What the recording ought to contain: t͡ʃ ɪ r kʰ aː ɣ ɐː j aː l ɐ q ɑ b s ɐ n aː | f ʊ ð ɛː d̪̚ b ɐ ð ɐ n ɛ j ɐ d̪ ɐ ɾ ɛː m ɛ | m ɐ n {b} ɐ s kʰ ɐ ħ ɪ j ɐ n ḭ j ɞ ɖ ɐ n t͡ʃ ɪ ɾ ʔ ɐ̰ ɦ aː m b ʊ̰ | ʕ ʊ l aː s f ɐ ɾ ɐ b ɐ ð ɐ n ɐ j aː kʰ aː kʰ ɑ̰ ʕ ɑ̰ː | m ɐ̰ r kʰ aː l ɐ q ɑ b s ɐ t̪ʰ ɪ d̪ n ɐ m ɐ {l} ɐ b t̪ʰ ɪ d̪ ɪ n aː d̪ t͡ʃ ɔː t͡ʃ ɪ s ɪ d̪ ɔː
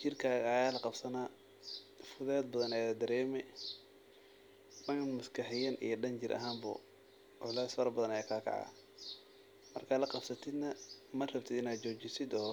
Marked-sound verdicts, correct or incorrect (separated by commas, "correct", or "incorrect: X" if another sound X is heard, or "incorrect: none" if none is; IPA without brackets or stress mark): incorrect: m, incorrect: r